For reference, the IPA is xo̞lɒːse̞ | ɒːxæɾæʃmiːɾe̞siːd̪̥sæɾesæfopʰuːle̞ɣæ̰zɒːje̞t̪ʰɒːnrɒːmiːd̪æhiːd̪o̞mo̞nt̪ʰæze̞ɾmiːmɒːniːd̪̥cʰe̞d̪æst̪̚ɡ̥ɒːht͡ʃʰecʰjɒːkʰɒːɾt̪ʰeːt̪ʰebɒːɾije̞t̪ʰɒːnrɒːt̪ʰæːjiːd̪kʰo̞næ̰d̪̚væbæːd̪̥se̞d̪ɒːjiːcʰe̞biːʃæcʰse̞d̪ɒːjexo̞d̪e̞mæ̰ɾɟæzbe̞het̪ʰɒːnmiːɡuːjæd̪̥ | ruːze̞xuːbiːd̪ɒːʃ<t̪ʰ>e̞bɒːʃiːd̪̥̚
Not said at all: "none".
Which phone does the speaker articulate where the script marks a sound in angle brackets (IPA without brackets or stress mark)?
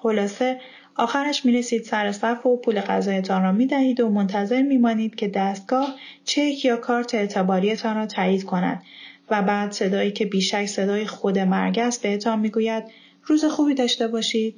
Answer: t̪